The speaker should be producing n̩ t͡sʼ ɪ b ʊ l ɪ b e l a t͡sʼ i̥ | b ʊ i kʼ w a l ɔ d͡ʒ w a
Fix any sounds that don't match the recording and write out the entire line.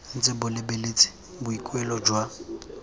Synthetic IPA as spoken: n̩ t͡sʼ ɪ b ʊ l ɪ b e l e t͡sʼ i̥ | b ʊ i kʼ w ɛ l ɔ d͡ʒ w a